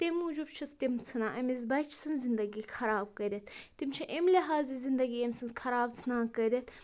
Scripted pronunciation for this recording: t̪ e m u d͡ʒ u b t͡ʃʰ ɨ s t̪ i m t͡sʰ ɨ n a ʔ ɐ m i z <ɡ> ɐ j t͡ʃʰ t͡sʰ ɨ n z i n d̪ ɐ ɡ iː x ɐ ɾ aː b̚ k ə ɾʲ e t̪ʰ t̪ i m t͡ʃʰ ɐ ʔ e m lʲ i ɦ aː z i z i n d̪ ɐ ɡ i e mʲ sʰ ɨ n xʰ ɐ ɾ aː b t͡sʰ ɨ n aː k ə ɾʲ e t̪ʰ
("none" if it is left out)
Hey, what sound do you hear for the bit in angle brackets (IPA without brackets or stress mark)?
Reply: b